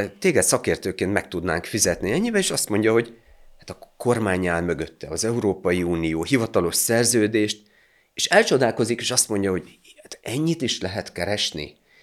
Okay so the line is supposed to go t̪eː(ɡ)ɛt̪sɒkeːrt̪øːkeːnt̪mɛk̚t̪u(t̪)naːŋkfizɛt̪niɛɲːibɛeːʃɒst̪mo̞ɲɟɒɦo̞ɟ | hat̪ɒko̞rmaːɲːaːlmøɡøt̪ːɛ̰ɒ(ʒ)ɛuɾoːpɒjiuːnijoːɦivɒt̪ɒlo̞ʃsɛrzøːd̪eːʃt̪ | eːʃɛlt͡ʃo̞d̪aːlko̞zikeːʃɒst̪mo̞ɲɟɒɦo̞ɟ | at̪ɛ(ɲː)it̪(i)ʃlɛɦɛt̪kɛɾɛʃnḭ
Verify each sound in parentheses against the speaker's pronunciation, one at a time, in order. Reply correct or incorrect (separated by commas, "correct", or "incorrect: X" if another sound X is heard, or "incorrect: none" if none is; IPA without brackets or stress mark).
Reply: correct, incorrect: d̪, incorrect: z, correct, correct